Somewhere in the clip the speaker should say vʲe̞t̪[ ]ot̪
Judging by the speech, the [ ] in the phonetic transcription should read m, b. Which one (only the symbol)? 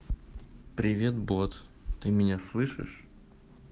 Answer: b